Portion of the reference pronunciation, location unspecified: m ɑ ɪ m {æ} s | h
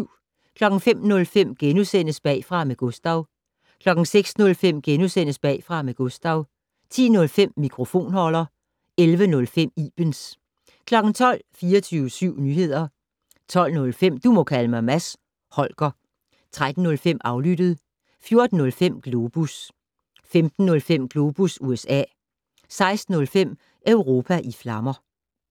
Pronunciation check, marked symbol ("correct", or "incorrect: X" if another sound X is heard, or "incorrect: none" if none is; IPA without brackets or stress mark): correct